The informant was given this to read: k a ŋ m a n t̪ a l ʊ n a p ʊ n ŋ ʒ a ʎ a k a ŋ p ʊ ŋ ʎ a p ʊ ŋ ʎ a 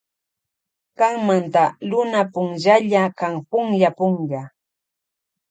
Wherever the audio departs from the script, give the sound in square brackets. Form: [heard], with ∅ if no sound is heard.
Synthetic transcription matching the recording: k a ŋ m a n t̪ a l ʊ n a p ʊ [∅] ŋ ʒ a ʎ a k a ŋ p ʊ ŋ ʎ a p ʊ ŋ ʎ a